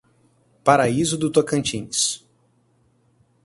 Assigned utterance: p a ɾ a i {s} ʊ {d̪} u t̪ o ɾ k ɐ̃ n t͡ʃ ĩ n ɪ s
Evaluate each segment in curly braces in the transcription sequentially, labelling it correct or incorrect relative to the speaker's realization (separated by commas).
incorrect, correct